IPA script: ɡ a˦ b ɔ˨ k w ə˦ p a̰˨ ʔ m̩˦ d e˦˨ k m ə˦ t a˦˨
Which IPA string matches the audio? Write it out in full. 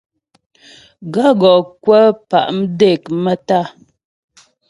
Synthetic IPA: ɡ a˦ ɡ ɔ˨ k w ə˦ p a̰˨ ʔ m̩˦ d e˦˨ k m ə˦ t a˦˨